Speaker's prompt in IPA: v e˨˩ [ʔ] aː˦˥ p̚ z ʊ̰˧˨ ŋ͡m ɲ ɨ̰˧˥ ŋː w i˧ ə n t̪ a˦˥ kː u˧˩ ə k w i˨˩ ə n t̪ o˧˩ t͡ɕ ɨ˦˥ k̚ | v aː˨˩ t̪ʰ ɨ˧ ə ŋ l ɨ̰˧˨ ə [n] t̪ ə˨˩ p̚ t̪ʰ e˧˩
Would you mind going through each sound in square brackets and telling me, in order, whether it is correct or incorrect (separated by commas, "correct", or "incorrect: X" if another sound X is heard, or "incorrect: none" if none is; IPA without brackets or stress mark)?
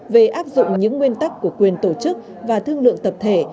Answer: correct, incorrect: ŋ